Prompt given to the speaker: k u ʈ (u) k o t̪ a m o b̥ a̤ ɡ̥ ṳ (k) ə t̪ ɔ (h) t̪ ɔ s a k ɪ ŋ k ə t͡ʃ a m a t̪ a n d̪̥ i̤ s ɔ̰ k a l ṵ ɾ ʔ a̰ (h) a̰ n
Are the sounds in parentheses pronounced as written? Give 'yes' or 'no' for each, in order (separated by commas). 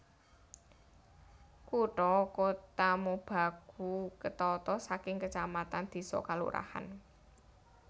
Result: no, yes, no, yes